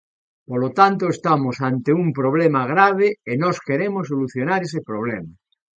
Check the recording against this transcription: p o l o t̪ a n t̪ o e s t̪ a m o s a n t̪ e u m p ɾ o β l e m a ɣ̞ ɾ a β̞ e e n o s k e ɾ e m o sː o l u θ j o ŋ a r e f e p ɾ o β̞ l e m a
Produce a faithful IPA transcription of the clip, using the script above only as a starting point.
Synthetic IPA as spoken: p o l o t̪ a n t̪ o e s t̪ a m o s a n t̪ e u m p ɾ o β l e m a ɣ̞ ɾ a β̞ e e n o s k e ɾ e m o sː o l u θ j o n a ɾ e s e p ɾ o β̞ l e m a